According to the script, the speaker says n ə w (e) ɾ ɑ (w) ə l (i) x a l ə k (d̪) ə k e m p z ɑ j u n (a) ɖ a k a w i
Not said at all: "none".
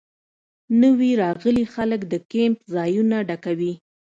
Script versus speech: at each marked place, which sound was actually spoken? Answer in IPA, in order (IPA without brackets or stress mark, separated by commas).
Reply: i, ɣ, i, d̪, a